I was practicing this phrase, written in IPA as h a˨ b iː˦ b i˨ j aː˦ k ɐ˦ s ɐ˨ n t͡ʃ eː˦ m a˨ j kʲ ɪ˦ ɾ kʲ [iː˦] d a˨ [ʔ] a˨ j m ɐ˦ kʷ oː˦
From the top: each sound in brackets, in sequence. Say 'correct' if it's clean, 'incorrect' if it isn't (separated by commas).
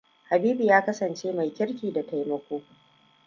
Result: incorrect, incorrect